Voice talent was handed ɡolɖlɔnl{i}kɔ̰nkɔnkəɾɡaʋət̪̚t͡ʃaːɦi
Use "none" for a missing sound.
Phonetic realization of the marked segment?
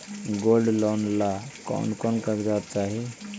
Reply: a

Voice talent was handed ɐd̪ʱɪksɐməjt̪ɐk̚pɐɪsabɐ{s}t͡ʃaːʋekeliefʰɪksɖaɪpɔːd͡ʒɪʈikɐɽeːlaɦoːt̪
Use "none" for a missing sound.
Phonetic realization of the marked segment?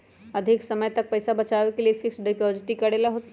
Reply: none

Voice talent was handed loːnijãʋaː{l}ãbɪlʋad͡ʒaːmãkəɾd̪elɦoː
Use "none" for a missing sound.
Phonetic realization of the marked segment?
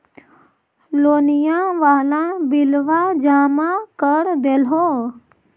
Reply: l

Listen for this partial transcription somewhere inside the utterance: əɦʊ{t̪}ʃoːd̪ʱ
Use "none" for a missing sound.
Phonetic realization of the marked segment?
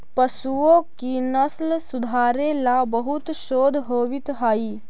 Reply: t̪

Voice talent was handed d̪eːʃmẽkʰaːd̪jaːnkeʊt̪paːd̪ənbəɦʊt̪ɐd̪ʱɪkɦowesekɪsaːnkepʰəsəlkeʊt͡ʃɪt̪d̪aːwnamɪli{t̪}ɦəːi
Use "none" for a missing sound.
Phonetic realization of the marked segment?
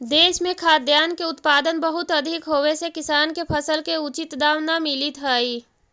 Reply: t̪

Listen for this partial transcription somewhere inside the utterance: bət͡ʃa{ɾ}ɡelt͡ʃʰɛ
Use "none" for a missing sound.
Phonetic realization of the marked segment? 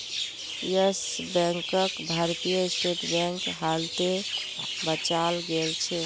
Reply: l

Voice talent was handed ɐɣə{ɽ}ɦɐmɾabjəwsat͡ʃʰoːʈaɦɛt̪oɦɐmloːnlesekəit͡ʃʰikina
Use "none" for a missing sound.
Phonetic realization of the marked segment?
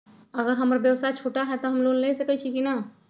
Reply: ɾ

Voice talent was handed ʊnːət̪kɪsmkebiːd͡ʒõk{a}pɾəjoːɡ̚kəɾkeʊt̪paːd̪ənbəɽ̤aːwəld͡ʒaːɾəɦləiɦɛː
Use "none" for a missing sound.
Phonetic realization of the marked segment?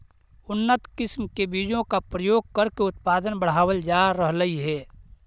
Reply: a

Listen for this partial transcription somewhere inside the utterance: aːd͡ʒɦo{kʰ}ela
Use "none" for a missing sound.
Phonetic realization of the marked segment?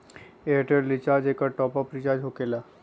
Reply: k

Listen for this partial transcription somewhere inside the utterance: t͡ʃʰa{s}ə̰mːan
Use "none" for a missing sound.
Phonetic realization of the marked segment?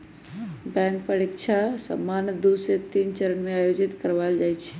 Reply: s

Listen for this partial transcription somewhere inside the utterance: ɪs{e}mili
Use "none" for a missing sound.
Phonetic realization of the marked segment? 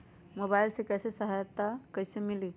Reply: e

